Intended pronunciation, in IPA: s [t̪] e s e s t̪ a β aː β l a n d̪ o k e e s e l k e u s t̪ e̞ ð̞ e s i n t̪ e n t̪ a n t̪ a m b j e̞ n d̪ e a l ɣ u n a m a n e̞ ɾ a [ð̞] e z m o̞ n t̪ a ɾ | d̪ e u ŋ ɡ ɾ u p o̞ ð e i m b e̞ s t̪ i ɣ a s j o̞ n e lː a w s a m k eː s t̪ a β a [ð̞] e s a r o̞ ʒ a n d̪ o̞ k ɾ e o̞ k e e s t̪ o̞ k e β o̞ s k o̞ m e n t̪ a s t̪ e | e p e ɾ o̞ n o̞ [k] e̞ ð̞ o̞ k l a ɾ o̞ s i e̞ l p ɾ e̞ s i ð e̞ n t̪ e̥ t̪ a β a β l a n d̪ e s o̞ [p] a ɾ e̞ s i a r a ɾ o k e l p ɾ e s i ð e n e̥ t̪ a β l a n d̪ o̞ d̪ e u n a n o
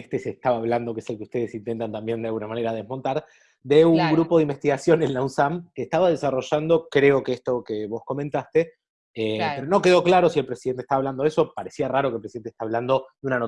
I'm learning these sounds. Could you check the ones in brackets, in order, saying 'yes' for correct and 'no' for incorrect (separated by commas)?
yes, yes, yes, yes, yes